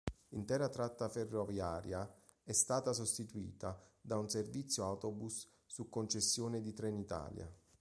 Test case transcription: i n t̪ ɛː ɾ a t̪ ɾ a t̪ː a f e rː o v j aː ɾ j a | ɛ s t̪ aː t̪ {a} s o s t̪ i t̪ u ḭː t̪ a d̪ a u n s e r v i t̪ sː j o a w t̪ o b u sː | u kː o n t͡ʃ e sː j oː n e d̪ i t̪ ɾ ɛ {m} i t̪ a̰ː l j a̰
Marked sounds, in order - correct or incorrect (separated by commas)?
correct, incorrect